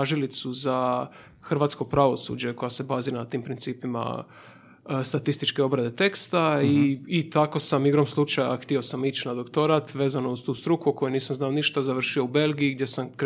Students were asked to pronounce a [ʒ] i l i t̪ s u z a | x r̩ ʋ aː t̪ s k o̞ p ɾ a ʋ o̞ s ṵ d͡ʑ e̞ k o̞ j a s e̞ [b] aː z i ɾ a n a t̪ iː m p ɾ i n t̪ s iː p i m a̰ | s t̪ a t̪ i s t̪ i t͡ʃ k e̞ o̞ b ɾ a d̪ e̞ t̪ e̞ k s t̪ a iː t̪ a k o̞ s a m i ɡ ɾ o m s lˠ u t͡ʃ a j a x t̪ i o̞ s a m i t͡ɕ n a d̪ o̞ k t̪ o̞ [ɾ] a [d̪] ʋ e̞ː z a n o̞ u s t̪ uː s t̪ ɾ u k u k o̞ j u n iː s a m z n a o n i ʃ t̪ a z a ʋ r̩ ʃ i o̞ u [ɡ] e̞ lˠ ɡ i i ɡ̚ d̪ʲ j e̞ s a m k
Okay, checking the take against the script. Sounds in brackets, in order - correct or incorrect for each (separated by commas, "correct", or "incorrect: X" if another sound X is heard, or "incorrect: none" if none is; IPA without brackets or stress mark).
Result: correct, correct, correct, incorrect: t̪, incorrect: b